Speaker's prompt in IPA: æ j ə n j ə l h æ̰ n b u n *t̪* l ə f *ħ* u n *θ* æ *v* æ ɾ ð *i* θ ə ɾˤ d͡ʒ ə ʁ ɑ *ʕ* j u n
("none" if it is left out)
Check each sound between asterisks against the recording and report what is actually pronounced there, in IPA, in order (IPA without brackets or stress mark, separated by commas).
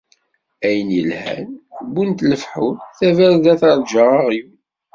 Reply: t̪, ħ, θ, v, æ, ʁ